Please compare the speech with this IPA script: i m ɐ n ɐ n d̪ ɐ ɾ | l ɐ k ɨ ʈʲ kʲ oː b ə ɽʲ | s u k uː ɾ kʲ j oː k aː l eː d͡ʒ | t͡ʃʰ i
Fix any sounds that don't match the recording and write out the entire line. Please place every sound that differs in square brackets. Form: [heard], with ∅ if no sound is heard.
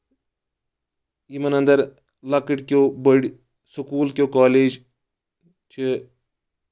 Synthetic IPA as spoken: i m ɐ n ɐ n d̪ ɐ ɾ | l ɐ k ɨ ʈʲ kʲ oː b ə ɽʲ | s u k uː [l] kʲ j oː k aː l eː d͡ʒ | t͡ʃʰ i